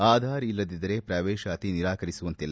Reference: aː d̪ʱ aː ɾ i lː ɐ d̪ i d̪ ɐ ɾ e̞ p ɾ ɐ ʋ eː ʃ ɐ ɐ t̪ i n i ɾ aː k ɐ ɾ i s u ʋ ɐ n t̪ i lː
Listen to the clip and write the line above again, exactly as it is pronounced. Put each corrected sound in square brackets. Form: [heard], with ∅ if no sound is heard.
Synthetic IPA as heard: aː d̪ʱ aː ɾ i lː ɐ d̪ i d̪ ɐ ɾ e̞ p ɾ ɐ ʋ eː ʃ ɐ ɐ t̪ i n i ɾ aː k ɐ ɾ i s u ʋ ɐ n t̪ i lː

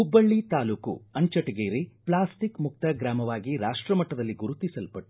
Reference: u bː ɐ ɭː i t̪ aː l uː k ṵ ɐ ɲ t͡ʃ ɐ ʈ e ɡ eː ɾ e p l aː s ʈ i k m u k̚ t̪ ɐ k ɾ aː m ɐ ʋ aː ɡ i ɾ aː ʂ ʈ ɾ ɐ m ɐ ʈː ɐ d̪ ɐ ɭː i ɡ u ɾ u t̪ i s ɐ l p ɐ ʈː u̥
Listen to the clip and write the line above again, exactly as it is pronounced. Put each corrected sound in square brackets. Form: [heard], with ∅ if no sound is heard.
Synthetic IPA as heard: u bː ɐ ɭː i t̪ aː l uː k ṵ ɐ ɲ t͡ʃ ɐ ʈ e ɡ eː ɾ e p l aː s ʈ i k m u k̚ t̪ ɐ [ɡ] ɾ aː m ɐ ʋ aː ɡ i ɾ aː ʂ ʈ ɾ ɐ m ɐ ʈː ɐ d̪ ɐ [lː] i ɡ u ɾ u t̪ i s ɐ l p ɐ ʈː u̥

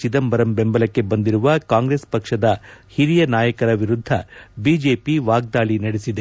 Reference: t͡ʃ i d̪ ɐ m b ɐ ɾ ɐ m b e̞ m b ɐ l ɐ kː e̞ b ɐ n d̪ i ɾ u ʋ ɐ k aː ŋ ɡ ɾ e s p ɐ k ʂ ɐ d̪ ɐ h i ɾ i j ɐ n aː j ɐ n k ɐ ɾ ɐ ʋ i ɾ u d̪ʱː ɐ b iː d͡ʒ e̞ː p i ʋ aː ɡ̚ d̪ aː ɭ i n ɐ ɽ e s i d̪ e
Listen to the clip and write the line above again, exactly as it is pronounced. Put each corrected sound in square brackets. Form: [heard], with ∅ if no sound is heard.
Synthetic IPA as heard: t͡ʃ i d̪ ɐ m b ɐ ɾ ɐ m b e̞ m b ɐ l ɐ kː e̞ b ɐ n d̪ i ɾ u ʋ ɐ k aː ŋ ɡ ɾ e s p ɐ k ʂ ɐ d̪ ɐ h i ɾ i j ɐ n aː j ɐ [∅] k ɐ ɾ ɐ ʋ i ɾ u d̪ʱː ɐ b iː d͡ʒ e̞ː p i ʋ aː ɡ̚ d̪ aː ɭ i n ɐ ɽ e s i d̪ e

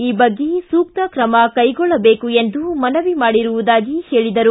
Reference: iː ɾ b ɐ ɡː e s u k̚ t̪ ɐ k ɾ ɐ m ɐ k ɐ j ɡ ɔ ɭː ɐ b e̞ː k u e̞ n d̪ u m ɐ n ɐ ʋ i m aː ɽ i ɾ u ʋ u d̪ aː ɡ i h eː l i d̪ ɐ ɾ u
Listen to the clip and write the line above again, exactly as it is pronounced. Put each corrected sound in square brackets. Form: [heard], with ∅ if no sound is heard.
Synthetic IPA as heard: iː [∅] b ɐ ɡː e s [uː] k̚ t̪ ɐ k ɾ ɐ m ɐ k ɐ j ɡ ɔ ɭː ɐ b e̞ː k u e̞ n d̪ u m ɐ n ɐ ʋ i m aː ɽ i ɾ u ʋ u d̪ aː ɡ i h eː [ɭ] i d̪ ɐ ɾ u

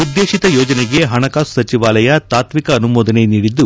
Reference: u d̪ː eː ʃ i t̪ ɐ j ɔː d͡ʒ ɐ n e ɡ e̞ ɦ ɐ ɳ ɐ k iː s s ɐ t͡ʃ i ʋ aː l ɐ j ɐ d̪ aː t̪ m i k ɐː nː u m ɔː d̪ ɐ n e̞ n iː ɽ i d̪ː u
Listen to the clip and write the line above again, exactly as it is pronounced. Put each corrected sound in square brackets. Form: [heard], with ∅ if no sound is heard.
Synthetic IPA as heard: u d̪ː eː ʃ i t̪ ɐ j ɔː d͡ʒ ɐ n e ɡ e̞ ɦ ɐ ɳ ɐ k [aː] s s ɐ t͡ʃ i ʋ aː l ɐ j ɐ [t̪] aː t̪ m i k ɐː [n] u m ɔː d̪ ɐ n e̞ n iː ɽ i d̪ː u

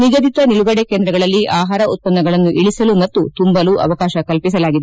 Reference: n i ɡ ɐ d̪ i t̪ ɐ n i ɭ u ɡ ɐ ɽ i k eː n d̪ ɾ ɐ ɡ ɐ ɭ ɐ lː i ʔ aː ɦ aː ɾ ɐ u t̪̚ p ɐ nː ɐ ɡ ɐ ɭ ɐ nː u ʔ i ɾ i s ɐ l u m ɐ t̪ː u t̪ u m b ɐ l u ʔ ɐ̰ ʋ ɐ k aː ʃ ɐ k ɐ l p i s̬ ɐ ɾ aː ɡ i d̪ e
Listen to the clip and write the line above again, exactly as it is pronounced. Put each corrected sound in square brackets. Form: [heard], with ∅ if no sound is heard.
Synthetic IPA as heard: n i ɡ ɐ d̪ i t̪ ɐ n i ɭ u ɡ ɐ ɽ [e] k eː n d̪ ɾ ɐ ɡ ɐ ɭ ɐ lː i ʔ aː ɦ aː ɾ ɐ u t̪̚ p ɐ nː ɐ ɡ ɐ ɭ ɐ nː u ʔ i [ɭ] i s ɐ l u m ɐ t̪ː u t̪ u m b ɐ l u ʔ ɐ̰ ʋ ɐ k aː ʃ ɐ k ɐ l p i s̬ ɐ [l] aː ɡ i d̪ e

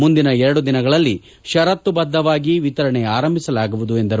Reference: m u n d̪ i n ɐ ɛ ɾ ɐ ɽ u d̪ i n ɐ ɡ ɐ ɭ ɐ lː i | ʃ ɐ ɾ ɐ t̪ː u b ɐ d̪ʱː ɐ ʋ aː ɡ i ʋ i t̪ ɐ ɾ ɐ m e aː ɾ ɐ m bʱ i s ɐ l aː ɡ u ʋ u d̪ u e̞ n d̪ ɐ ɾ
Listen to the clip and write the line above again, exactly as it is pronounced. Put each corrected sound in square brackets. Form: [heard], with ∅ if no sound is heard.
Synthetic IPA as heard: m u n d̪ i n ɐ ɛ ɾ ɐ ɽ u d̪ i n ɐ ɡ ɐ ɭ ɐ lː i | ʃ ɐ ɾ ɐ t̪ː u b ɐ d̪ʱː ɐ ʋ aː ɡ i ʋ i t̪ ɐ ɾ ɐ [ɳ] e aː ɾ ɐ m bʱ i s ɐ l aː ɡ u ʋ u d̪ u e̞ n d̪ ɐ ɾ

